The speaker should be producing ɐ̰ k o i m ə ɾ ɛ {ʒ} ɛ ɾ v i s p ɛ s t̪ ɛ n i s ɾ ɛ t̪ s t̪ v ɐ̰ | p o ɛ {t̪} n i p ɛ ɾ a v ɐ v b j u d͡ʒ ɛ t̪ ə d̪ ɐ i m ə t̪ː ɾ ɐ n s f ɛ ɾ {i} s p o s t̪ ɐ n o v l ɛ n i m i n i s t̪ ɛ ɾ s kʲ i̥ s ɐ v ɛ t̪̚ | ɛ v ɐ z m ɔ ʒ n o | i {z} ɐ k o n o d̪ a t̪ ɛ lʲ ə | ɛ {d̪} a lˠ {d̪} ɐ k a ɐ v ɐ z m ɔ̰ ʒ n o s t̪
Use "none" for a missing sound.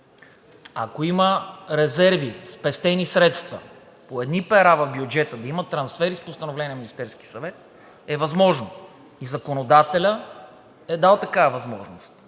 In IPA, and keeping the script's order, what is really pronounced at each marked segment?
z, d̪, i, z, d̪, t̪

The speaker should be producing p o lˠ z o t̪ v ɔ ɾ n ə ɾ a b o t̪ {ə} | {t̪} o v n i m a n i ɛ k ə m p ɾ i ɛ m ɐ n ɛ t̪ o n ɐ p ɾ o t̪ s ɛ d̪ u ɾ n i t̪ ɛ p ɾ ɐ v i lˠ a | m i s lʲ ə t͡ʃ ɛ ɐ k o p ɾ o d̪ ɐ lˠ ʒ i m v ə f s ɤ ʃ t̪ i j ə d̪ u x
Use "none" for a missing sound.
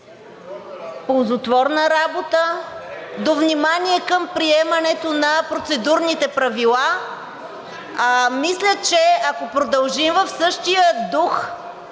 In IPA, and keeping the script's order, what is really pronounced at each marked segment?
ə, d̪

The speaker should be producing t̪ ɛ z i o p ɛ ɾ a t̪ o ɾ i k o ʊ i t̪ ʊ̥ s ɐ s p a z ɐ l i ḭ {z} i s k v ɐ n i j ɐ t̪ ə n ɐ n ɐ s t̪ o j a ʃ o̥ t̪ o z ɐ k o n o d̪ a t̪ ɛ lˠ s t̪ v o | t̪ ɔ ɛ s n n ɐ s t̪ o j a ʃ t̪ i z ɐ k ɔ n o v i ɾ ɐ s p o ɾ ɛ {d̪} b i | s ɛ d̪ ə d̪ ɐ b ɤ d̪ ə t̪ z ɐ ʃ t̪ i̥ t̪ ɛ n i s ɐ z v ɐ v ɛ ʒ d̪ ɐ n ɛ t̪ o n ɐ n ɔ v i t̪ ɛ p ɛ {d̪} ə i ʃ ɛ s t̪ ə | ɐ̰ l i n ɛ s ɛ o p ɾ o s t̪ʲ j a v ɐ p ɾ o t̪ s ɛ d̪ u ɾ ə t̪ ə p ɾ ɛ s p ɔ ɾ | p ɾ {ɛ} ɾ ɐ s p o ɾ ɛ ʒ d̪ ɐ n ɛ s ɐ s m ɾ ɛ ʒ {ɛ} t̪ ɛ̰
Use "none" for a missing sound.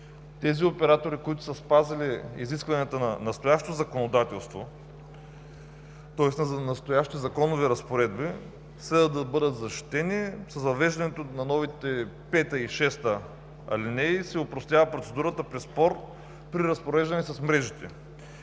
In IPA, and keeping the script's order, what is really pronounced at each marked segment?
z, d̪, t̪, i, i

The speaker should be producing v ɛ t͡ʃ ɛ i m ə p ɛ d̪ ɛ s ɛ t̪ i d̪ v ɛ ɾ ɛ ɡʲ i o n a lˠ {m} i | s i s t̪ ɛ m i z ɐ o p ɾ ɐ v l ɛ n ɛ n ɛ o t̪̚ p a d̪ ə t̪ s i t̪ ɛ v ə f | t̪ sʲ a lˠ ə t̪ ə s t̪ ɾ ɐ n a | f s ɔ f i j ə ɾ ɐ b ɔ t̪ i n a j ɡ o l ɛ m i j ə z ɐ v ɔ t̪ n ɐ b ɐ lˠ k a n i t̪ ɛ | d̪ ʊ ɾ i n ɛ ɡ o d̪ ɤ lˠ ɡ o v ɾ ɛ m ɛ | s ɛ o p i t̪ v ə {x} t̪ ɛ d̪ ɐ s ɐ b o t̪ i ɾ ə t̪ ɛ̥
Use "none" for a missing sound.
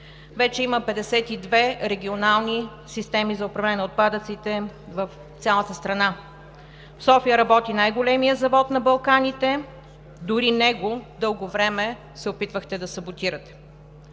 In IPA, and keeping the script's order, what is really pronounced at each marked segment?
n, x

